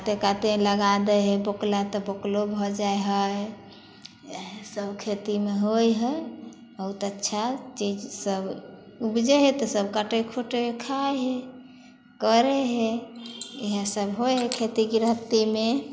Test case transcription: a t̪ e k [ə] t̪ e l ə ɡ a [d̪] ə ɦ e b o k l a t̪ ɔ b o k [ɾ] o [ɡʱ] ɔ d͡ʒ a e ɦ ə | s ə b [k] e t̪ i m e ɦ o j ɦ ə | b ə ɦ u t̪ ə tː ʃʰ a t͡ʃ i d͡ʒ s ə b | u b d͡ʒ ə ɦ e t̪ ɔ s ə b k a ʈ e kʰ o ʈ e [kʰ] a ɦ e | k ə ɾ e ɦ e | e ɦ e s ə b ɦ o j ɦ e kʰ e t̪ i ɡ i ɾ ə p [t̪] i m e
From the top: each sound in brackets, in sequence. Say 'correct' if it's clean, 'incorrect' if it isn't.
incorrect: a, correct, incorrect: l, incorrect: bʱ, incorrect: kʰ, correct, correct

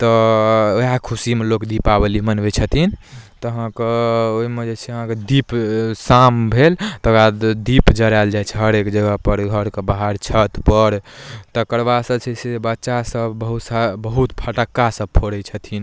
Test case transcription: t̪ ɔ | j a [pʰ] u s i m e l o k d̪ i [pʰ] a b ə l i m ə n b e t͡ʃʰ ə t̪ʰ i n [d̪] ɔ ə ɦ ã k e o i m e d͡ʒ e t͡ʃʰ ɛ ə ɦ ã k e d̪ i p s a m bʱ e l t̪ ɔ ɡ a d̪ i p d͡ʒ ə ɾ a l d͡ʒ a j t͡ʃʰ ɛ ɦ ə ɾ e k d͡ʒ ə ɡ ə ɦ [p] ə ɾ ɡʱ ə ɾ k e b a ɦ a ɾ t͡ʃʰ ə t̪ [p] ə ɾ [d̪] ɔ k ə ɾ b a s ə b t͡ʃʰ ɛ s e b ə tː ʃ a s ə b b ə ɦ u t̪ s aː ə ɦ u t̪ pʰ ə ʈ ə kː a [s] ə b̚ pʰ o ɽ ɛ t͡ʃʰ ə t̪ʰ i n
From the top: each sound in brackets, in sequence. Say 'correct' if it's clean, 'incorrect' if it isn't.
incorrect: kʰ, incorrect: p, incorrect: t̪, correct, correct, incorrect: t̪, correct

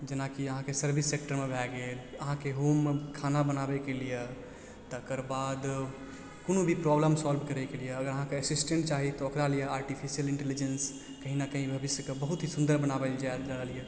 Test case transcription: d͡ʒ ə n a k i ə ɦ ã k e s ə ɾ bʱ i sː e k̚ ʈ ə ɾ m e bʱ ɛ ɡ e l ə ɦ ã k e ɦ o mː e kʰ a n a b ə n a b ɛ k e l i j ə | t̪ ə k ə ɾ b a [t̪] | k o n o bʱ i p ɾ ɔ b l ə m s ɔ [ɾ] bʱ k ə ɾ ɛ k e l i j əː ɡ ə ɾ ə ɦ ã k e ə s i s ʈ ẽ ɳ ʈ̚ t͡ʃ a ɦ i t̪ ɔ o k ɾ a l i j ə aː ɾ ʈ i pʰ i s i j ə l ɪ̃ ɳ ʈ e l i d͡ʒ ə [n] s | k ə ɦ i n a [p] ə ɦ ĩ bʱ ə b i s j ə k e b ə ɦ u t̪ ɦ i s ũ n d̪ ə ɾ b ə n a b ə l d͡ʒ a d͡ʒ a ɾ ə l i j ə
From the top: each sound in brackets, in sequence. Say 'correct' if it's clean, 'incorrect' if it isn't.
incorrect: d̪, incorrect: l, correct, incorrect: k

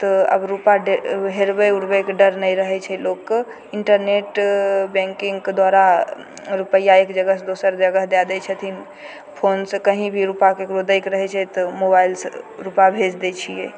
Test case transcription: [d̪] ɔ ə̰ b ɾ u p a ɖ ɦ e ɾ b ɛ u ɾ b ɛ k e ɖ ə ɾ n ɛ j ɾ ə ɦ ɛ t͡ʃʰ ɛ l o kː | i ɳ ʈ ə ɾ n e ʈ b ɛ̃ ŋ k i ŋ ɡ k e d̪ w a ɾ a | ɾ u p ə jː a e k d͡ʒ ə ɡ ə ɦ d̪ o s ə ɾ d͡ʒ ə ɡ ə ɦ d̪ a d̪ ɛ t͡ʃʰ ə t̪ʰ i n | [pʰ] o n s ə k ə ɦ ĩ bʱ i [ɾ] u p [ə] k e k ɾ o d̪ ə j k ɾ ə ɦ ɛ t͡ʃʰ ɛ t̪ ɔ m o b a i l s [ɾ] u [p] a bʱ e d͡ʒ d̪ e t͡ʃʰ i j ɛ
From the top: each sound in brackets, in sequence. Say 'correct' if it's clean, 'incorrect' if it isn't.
incorrect: t̪, correct, correct, incorrect: a, correct, correct

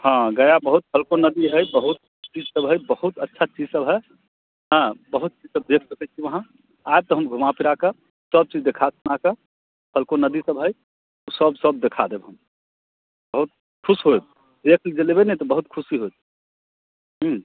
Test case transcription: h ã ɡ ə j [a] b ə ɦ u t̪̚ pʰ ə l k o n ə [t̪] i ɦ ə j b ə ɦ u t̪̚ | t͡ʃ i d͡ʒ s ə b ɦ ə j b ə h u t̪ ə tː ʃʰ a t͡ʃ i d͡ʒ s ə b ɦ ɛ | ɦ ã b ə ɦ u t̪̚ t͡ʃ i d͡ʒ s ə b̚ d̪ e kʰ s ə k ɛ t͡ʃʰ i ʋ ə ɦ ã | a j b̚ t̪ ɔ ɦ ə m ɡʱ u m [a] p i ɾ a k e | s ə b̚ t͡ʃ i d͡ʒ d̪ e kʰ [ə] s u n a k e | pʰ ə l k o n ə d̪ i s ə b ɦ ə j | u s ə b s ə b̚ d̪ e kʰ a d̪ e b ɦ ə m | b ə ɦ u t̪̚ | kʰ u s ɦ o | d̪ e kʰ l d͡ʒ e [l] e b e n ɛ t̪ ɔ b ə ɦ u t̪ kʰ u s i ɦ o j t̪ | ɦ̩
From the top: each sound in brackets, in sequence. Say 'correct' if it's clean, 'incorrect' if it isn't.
correct, incorrect: d̪, correct, incorrect: a, correct

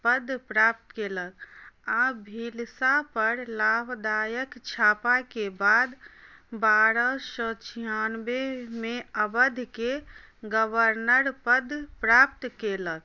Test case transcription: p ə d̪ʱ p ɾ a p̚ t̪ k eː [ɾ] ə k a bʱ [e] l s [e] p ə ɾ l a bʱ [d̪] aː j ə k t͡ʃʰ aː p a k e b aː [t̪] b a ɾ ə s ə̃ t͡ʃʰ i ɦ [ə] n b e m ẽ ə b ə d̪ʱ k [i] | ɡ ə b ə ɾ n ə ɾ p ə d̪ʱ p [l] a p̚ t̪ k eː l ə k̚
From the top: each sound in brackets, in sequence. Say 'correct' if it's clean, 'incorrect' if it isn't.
incorrect: l, incorrect: i, incorrect: a, correct, incorrect: d̪, incorrect: a, incorrect: e, incorrect: ɾ

